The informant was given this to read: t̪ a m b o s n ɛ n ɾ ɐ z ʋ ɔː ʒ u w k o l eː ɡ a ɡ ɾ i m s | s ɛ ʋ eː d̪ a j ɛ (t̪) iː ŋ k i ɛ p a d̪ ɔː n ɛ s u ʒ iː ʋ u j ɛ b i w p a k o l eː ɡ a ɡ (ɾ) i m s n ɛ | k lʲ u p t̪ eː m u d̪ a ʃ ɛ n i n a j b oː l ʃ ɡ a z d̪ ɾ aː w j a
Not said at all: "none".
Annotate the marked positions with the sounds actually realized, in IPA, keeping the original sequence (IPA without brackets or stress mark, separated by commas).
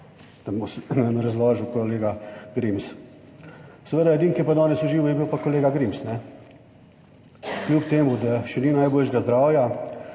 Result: d̪, ɾ